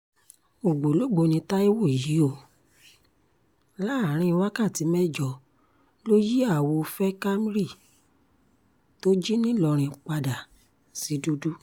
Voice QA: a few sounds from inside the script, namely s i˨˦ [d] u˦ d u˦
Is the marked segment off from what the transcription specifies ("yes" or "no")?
no